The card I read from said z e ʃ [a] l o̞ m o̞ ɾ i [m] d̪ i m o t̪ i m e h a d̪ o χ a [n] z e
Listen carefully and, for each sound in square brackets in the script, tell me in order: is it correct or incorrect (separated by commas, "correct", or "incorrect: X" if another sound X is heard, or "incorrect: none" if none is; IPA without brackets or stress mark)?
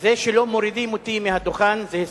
incorrect: e, incorrect: none, correct